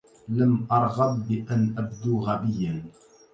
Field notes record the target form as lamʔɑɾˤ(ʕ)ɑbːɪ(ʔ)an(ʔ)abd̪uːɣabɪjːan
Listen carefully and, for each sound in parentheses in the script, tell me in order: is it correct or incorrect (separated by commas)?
incorrect, correct, correct